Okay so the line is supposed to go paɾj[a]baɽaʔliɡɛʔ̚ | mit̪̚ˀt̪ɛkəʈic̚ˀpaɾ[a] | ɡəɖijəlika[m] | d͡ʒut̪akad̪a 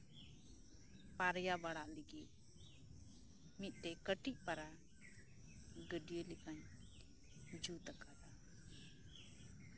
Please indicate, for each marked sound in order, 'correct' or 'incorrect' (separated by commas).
correct, correct, incorrect